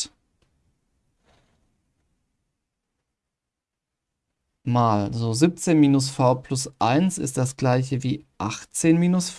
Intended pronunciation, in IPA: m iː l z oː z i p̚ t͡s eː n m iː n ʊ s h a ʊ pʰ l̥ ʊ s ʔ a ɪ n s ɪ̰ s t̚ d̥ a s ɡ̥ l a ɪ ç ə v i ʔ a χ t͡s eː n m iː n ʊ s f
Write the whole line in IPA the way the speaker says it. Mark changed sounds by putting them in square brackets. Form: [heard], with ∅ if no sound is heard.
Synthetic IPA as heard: m [aː] l z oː z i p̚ t͡s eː n m iː n ʊ s [f] a ʊ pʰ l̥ ʊ s ʔ a ɪ n s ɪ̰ s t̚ d̥ a s ɡ̥ l a ɪ ç ə v [iː] ʔ a χ t͡s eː n m iː n ʊ s f